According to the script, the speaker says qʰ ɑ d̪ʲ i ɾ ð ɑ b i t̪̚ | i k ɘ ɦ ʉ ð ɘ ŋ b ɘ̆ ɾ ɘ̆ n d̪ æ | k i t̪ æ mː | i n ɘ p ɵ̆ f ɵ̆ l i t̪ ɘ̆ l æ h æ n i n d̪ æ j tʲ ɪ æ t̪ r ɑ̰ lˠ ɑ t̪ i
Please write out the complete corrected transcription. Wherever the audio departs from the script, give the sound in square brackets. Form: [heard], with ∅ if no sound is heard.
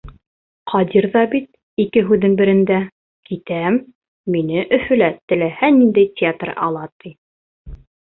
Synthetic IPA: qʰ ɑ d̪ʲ i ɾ ð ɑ b i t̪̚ | i k ɘ ɦ ʉ ð ɘ ŋ b ɘ̆ ɾ ɘ̆ n d̪ æ | k i t̪ æ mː | i n ɘ [ʔ] ɵ̆ f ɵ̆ l [æ] t̪ ɘ̆ l æ h æ n i n d̪ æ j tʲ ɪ [a] t̪ r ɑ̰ lˠ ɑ t̪ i